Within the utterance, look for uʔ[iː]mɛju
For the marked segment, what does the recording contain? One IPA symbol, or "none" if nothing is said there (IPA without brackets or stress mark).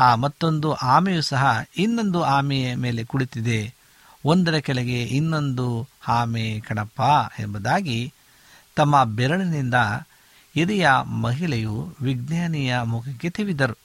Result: aː